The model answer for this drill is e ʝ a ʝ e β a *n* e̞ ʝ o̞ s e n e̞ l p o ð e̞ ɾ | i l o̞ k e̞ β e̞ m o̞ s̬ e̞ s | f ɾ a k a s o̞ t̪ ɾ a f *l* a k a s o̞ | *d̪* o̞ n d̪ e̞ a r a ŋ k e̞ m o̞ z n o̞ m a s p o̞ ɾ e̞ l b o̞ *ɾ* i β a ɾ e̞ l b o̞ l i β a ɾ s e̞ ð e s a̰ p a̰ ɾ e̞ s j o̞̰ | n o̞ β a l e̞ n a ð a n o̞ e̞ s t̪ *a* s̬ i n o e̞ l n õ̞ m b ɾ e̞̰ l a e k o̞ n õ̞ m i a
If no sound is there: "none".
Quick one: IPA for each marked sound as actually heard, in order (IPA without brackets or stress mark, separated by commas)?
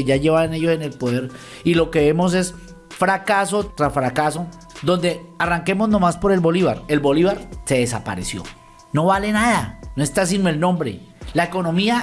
n, ɾ, d̪, l, a